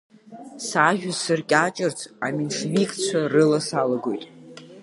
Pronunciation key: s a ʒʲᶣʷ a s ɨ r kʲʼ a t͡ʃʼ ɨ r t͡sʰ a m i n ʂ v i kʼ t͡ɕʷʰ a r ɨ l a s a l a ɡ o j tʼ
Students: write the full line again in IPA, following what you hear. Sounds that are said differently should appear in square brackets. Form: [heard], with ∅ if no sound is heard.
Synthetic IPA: s a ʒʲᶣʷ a s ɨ r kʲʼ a t͡ʃʼ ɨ r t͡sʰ a m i n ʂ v i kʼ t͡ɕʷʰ a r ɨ l a s a l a ɡ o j tʼ